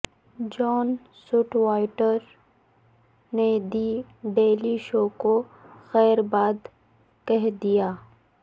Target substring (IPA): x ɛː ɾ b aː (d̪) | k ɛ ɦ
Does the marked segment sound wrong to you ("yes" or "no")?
no